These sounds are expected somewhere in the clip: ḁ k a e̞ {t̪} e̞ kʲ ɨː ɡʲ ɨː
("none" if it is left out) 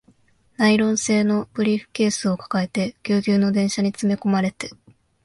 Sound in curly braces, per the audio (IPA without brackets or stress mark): t̪